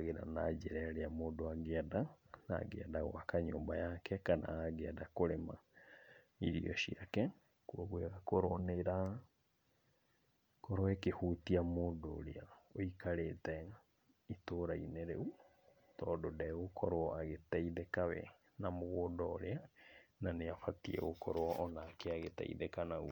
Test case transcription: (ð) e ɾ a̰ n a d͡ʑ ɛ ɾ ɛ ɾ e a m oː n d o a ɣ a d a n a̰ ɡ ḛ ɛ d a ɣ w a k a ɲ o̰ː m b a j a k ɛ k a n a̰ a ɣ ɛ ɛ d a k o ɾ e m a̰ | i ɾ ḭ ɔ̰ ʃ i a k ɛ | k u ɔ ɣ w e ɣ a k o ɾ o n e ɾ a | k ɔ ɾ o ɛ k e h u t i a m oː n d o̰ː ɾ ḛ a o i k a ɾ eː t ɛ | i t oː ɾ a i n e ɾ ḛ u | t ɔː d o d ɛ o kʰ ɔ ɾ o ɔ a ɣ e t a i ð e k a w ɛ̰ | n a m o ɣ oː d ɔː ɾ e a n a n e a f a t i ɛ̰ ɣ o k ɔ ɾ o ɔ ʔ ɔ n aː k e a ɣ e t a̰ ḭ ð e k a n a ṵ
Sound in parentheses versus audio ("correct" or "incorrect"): incorrect